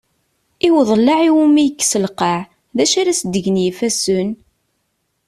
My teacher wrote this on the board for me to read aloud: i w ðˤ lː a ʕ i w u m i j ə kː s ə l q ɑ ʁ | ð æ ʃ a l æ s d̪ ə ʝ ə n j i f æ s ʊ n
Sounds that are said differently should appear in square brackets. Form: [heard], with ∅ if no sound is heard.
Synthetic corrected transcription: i w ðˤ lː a ʕ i w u m i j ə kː s ə l q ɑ [ʕ] | ð æ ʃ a [ɾ] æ s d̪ ə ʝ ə n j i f æ s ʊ n

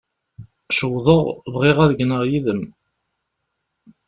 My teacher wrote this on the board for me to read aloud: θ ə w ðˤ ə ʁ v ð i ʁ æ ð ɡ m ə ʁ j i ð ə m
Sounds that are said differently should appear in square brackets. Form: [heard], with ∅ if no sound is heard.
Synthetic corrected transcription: [ʃ] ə w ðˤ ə ʁ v [ʁ] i ʁ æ ð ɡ [n] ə ʁ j i ð ə m

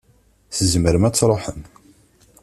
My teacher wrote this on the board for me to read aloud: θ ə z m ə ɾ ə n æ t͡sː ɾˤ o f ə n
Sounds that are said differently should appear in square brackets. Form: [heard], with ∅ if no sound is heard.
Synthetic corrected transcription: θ ə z m ə ɾ ə [m] æ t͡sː ɾˤ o [ħ] ə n

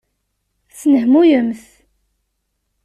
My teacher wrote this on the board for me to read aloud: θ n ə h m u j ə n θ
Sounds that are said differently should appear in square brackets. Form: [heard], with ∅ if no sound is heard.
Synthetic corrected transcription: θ n ə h m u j ə [m] θ

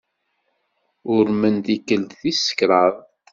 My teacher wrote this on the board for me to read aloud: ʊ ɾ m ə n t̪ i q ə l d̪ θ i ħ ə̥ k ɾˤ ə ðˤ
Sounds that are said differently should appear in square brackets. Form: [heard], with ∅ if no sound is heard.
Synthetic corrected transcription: ʊ ɾ m ə n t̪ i [k] ə l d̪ θ i [s] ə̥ k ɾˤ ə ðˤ

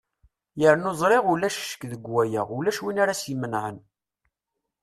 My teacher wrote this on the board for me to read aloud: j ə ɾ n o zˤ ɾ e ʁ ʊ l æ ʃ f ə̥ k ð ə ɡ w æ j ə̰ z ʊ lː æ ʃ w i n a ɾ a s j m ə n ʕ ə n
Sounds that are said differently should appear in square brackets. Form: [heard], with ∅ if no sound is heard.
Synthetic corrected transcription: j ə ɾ n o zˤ ɾ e ʁ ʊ l æ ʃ [ʃ] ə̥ k ð ə ɡ w æ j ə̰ [ʁ] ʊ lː æ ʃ w i n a ɾ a s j m ə n ʕ ə n

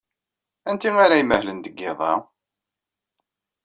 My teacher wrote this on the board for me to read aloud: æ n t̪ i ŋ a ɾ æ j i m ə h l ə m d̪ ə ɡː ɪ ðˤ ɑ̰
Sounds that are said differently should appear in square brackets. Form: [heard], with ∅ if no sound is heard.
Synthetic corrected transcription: æ n t̪ i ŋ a ɾ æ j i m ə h l ə [n] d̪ ə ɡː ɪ ðˤ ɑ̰

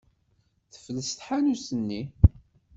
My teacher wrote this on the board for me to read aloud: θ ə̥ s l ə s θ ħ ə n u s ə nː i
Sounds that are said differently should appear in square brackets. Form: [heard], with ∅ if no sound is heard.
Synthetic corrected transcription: θ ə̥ [f] l ə s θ ħ [a] n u s ə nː i

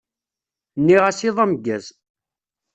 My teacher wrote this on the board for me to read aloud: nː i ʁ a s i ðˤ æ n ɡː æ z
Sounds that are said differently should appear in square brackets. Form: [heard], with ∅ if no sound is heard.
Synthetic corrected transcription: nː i ʁ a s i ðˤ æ [m] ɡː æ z

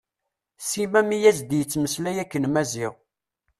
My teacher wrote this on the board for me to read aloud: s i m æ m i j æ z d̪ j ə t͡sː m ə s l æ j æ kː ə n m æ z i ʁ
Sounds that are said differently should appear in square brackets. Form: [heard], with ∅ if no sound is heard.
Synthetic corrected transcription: s i m æ m i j æ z d̪ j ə t͡sː m ə s l æ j æ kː ə n m æ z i ʁ

